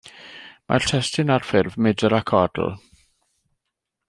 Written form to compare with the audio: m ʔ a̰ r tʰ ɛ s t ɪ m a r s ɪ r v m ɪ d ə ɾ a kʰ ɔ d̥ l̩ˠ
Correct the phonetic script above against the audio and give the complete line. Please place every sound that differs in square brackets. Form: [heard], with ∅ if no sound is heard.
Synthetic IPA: m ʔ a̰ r tʰ ɛ s t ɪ [n] a r [f] ɪ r v m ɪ d ə ɾ a kʰ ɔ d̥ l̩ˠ